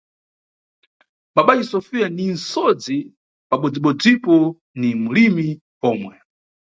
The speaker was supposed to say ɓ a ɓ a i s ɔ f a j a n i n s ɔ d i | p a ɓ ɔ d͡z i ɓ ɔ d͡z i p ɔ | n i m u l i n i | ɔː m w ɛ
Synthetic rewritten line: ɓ a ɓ a i s ɔ f i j a n i n s ɔ d͡z i | p a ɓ ɔ d͡z i ɓ ɔ d͡z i p ɔ | n i m u l i m i | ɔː m w ɛ

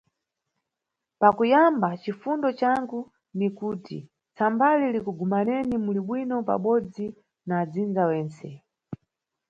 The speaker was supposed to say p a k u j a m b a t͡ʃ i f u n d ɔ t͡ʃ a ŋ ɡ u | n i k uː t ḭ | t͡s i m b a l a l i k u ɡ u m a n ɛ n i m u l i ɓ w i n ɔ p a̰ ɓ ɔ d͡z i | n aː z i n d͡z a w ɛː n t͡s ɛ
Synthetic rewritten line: p a k u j a m b a t͡ʃ i f u n d ɔ t͡ʃ a ŋ ɡ u | n i k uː t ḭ | t͡s a m b a l i l i k u ɡ u m a n ɛ n i m u l i ɓ w i n ɔ p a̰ ɓ ɔ d͡z i | n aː d͡z i n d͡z a w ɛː n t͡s ɛ

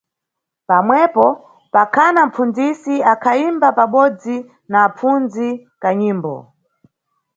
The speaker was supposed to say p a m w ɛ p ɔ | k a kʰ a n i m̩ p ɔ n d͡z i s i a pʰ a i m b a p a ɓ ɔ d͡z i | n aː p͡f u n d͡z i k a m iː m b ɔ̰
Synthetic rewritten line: p a m w ɛ p ɔ | p a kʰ a n a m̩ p u n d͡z i s i a kʰ a i m b a p a ɓ ɔ d͡z i | n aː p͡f u n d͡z i k a ɲ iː m b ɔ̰

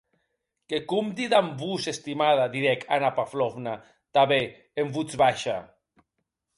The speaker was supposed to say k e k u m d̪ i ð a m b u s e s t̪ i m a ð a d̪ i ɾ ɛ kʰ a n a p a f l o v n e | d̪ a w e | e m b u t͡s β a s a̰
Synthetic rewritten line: k e k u m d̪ i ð a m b u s e s t̪ i m a ð a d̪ i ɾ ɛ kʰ a n a p a f l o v n a | t̪ a β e | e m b u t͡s β a ʃ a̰

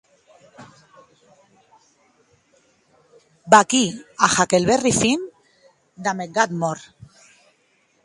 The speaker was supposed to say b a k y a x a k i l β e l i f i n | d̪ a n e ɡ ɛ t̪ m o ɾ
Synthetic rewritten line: b a k i a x a k e l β e r i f i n | d̪ a m e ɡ a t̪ m o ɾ

